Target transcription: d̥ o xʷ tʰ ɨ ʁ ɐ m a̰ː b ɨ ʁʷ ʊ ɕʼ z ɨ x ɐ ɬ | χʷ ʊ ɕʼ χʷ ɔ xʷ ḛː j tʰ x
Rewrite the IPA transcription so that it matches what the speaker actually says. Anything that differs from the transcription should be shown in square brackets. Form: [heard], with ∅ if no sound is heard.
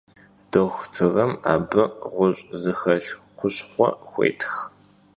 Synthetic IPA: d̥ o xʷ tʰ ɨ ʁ ɐ m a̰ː b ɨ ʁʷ ʊ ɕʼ z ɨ x ɐ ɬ | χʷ ʊ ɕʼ χʷ ɔ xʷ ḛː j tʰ x